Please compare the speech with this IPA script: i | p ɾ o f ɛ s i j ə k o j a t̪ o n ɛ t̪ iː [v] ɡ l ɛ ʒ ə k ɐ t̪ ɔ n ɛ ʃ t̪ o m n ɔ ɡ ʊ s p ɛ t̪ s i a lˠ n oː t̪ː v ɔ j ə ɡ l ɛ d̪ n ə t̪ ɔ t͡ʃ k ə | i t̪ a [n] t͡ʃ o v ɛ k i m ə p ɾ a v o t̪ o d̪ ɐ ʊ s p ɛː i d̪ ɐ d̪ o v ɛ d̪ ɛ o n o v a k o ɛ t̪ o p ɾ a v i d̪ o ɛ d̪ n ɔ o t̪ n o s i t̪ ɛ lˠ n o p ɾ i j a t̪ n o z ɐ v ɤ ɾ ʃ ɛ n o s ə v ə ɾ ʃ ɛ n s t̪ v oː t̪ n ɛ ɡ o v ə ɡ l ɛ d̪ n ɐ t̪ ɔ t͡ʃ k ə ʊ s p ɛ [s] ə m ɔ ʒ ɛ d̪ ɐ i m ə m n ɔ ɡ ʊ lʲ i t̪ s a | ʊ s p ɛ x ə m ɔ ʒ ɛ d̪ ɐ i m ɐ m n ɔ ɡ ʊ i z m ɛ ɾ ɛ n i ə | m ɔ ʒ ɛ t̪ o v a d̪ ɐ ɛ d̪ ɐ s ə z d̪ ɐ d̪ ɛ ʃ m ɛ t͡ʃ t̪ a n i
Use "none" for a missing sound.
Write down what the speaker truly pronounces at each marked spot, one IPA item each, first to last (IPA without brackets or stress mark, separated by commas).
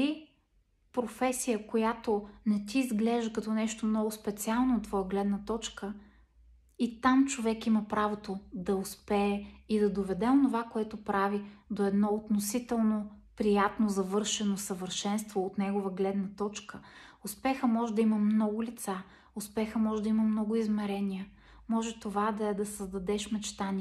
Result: z, m, x